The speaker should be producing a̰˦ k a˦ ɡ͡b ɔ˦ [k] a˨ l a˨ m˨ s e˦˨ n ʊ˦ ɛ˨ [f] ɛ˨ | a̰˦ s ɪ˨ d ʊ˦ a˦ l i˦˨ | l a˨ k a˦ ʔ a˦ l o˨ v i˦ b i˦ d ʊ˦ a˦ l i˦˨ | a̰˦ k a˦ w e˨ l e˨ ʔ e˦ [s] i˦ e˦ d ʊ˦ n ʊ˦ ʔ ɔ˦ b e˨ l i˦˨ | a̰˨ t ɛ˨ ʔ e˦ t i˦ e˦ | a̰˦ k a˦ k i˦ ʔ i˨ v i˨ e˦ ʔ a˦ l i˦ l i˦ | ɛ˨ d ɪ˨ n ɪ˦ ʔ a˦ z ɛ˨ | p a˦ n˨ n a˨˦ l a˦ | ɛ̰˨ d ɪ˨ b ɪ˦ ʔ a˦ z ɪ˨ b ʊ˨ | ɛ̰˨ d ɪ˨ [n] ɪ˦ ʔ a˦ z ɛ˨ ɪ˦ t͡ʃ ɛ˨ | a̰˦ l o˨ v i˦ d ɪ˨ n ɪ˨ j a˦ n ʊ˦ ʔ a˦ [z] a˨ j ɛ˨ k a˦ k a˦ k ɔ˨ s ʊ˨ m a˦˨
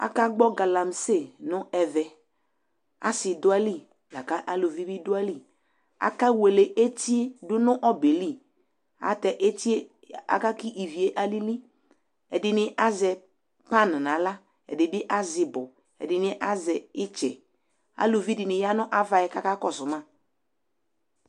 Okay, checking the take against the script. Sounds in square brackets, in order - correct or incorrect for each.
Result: incorrect: ɡ, incorrect: v, incorrect: t, correct, incorrect: v

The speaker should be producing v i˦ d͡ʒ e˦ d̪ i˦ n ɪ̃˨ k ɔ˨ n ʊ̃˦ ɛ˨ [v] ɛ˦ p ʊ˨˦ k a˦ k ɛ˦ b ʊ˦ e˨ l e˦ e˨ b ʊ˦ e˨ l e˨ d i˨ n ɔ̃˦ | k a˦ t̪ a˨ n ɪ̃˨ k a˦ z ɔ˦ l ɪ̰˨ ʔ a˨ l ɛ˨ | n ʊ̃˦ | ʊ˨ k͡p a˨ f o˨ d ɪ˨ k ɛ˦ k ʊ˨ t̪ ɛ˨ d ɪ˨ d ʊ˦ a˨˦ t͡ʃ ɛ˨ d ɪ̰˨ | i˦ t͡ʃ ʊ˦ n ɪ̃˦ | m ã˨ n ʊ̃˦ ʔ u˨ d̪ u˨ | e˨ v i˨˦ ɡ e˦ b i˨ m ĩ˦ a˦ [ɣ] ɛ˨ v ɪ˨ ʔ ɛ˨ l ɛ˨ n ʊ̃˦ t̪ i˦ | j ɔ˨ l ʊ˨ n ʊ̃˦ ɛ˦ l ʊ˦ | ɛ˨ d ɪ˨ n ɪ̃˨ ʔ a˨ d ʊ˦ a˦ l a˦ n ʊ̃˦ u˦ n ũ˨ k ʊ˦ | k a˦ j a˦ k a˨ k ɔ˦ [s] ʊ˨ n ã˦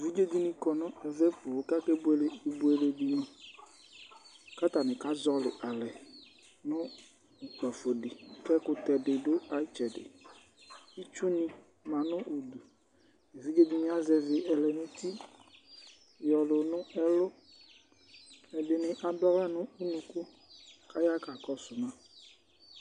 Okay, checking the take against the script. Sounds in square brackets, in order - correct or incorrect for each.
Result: correct, incorrect: z, correct

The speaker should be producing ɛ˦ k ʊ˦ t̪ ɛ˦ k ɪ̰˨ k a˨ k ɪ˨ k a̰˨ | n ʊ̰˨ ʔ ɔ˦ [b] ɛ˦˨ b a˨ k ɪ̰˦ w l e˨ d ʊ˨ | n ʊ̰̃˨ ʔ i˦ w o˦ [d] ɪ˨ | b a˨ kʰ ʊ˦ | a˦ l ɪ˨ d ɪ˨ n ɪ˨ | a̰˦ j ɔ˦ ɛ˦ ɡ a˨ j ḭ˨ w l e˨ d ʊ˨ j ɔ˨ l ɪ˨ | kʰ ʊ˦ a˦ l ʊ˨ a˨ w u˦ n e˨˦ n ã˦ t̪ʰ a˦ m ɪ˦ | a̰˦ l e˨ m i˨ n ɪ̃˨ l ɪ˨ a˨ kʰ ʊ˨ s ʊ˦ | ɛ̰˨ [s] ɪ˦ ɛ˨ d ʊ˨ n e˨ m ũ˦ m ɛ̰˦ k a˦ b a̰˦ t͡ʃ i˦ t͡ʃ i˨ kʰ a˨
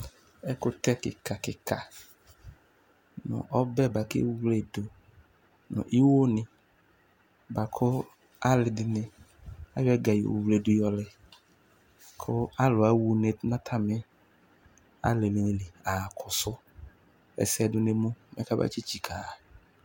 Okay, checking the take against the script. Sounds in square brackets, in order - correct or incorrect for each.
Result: correct, incorrect: n, correct

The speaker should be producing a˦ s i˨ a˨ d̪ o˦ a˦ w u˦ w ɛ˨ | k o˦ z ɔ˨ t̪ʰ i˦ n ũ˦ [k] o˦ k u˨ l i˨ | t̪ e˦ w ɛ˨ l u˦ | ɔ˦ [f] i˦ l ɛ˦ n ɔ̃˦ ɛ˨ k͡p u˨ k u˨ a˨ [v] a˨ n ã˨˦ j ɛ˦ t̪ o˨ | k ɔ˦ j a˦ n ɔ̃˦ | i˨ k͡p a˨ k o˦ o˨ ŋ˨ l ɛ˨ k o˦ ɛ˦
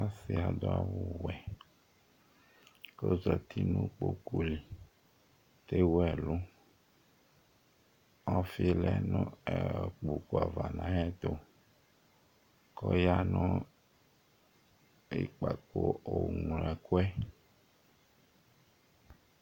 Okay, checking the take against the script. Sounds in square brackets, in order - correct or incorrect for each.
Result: incorrect: k͡p, correct, correct

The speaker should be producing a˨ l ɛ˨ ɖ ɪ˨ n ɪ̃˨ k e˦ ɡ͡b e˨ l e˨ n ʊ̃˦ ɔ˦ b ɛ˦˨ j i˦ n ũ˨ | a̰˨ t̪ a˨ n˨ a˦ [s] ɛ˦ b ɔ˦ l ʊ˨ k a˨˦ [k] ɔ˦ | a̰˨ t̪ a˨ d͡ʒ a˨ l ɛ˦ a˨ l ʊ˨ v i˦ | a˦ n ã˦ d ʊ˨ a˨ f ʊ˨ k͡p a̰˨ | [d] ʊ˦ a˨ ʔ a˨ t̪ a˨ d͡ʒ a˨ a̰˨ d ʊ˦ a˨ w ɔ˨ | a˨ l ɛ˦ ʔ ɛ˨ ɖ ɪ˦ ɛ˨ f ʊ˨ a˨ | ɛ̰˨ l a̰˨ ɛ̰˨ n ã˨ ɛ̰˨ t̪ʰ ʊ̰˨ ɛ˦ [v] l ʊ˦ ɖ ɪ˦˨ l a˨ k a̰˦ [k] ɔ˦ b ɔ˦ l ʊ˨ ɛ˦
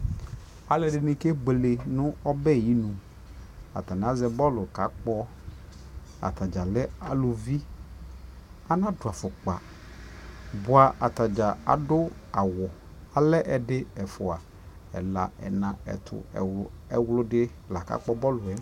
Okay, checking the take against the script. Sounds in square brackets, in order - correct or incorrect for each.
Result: incorrect: z, incorrect: k͡p, incorrect: b, incorrect: w, incorrect: k͡p

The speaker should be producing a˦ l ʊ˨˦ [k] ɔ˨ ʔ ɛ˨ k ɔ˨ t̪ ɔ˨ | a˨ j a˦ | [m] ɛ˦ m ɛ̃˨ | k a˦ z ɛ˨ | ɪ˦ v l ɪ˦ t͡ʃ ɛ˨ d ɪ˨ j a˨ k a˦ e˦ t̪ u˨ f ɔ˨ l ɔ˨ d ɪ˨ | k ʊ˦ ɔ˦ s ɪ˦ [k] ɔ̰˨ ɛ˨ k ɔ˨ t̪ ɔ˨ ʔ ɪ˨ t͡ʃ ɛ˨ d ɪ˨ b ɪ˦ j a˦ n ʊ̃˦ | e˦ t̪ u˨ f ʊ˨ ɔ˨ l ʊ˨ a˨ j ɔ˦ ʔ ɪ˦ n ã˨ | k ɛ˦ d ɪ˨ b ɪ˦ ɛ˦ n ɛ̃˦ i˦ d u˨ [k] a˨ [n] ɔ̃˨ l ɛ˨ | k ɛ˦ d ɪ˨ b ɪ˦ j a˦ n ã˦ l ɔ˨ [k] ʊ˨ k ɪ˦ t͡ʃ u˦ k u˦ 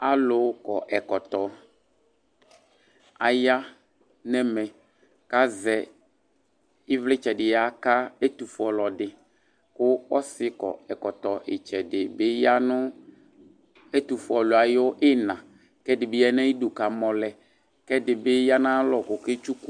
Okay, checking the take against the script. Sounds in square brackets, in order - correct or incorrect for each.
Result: correct, incorrect: n, correct, correct, incorrect: m, correct

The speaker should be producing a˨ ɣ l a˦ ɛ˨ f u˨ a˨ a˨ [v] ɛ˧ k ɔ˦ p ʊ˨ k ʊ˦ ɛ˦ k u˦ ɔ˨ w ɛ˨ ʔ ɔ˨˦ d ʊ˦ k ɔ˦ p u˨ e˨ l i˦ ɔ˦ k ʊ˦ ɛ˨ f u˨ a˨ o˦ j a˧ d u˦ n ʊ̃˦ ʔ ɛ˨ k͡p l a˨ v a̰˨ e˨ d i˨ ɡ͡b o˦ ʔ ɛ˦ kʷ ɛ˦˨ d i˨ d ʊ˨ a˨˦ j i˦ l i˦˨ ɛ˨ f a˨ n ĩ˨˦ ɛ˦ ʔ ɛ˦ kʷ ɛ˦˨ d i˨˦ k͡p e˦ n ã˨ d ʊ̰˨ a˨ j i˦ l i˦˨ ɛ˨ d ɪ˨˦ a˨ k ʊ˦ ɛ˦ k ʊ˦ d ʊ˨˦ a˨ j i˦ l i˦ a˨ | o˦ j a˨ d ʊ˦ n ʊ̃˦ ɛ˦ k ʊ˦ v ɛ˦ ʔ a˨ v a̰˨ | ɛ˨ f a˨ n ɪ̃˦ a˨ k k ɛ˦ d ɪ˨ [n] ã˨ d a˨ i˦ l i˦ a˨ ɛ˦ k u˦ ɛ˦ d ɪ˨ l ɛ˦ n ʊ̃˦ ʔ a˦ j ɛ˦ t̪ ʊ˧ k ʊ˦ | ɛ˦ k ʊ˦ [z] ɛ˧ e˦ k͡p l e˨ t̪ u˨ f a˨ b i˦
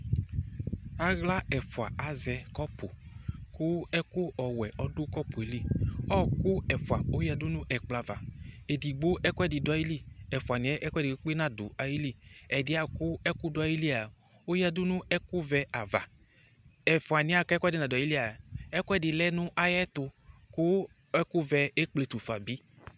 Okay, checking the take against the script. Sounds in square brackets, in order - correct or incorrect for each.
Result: incorrect: z, correct, incorrect: v

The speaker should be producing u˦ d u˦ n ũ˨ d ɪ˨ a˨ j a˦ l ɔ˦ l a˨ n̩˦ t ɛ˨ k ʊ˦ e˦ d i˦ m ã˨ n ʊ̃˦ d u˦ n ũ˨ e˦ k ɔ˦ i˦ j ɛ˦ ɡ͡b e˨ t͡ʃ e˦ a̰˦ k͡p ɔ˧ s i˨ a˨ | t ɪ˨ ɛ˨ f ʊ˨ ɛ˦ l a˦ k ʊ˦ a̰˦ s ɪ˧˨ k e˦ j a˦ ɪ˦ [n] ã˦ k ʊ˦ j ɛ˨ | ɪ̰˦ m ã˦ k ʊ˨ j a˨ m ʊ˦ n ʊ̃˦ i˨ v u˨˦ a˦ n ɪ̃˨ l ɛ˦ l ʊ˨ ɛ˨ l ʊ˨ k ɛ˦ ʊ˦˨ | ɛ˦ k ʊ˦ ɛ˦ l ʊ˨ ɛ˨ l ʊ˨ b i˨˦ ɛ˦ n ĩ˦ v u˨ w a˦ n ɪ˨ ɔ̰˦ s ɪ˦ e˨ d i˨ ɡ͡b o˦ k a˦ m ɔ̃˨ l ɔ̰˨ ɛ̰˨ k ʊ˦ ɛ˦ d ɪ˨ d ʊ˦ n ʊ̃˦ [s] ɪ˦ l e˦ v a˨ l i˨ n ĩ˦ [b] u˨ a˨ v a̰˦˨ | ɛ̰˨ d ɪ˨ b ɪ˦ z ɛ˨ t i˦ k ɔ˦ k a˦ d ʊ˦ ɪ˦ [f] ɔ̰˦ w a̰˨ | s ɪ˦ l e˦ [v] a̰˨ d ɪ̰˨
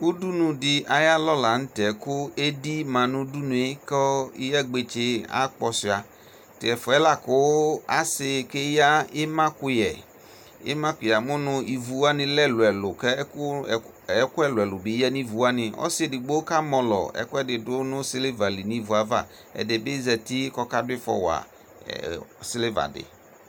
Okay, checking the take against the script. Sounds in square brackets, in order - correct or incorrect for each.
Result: incorrect: m, correct, incorrect: v, correct, correct

